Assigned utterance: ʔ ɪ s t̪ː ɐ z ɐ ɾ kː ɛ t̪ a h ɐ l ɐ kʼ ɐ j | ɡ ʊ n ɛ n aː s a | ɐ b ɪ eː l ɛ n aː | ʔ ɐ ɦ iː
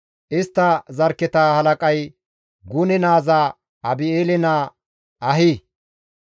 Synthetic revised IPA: ʔ ɪ s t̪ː ɐ z ɐ ɾ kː ɛ t̪ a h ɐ l ɐ kʼ ɐ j | ɡ ʊ n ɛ n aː z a | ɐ b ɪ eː l ɛ n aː | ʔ ɐ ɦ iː